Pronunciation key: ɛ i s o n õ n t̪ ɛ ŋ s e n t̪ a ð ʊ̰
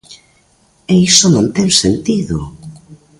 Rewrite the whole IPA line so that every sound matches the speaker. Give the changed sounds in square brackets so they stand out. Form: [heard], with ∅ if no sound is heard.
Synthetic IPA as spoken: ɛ i s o n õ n t̪ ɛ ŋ s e n t̪ [i] ð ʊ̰